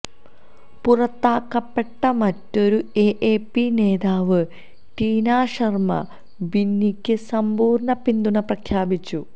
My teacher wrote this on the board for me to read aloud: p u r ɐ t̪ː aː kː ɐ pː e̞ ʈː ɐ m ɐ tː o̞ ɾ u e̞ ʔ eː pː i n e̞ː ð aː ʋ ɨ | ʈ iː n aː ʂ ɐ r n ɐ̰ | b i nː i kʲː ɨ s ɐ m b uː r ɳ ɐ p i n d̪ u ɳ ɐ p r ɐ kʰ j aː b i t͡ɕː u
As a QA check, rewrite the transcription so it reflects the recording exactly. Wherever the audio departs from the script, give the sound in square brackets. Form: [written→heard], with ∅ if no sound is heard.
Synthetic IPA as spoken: p u r ɐ t̪ː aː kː ɐ pː e̞ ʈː ɐ m ɐ tː o̞ ɾ u e̞ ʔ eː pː i n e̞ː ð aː ʋ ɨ | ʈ iː n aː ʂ ɐ r [n→m] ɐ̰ | b i nː i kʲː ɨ s ɐ m b uː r ɳ ɐ p i n d̪ u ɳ ɐ p r ɐ kʰ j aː b i t͡ɕː u

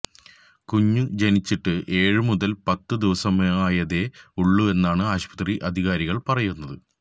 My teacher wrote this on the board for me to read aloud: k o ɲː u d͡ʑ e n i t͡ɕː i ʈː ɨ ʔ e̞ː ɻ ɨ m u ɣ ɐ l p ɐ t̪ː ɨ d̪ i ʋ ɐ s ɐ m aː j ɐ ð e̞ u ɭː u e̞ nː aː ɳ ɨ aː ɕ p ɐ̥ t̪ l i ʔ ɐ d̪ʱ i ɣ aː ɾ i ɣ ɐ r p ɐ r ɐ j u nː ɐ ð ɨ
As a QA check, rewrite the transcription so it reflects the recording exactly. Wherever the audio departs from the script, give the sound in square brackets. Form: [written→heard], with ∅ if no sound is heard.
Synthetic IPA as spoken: k [o→u] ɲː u d͡ʑ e n i t͡ɕː i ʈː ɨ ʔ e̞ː ɻ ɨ m u [ɣ→ð] ɐ l p ɐ t̪ː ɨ d̪ i ʋ ɐ s ɐ m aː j ɐ ð e̞ u ɭː u e̞ nː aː ɳ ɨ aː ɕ p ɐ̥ t̪ [l→r] i ʔ ɐ d̪ʱ i ɣ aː ɾ i ɣ ɐ [r→ɭ] p ɐ r ɐ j u nː ɐ ð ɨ

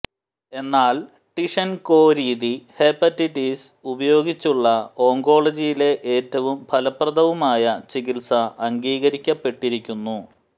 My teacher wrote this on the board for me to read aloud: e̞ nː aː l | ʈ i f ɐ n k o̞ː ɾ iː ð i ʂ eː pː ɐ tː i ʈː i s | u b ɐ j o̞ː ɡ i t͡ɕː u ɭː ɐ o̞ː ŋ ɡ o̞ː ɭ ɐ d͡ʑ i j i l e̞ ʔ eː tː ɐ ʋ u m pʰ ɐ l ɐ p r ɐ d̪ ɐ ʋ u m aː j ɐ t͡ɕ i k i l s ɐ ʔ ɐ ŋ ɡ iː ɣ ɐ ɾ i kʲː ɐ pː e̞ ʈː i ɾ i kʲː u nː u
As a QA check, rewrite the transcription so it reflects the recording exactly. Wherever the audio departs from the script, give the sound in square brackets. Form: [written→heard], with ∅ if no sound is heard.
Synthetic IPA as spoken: e̞ nː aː l | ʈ i [f→ʂ] ɐ n k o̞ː ɾ iː ð i [ʂ→h] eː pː ɐ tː i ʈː i s | u b ɐ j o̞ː ɡ i t͡ɕː u ɭː ɐ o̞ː ŋ ɡ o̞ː ɭ ɐ d͡ʑ i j i l e̞ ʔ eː tː ɐ ʋ u m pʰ ɐ l ɐ p r ɐ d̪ ɐ ʋ u m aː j ɐ t͡ɕ i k i l s ɐ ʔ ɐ ŋ ɡ iː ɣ ɐ ɾ i kʲː ɐ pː e̞ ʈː i ɾ i kʲː u nː u

